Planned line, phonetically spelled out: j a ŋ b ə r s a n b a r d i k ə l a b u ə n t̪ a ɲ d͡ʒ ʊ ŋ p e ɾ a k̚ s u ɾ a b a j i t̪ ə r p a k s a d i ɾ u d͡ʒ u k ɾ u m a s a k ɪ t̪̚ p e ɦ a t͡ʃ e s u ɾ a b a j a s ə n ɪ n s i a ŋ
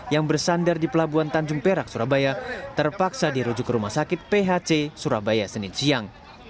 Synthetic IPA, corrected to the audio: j a ŋ b ə r s a n d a r d i p ə l a b u a n t̪ a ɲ d͡ʒ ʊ ŋ p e ɾ a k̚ s u ɾ a b a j a t̪ ə r p a k s a d i ɾ u d͡ʒ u k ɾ u m a s a k ɪ t̪̚ p e ɦ a t͡ʃ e s u ɾ a b a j a s ə n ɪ n s i a ŋ